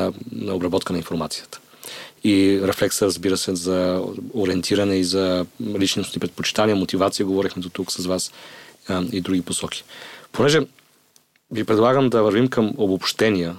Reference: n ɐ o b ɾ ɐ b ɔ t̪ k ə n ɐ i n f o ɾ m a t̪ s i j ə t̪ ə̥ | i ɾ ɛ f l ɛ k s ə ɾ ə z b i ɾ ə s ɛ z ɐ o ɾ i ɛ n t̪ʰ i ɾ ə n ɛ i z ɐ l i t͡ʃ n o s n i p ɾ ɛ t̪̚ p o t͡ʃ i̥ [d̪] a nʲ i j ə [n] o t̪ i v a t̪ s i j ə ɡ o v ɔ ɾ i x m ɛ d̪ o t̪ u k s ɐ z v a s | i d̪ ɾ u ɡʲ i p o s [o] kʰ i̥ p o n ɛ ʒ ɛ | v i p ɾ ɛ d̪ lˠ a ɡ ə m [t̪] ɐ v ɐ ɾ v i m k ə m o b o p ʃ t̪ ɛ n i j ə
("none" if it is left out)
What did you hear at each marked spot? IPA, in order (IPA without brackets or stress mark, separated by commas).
t̪, m, ɔ, d̪